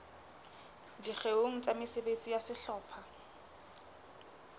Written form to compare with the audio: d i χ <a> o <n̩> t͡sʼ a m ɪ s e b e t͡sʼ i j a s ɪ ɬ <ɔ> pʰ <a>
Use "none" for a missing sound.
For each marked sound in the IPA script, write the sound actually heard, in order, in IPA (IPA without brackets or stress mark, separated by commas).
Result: e, ŋ̩, ɔː, a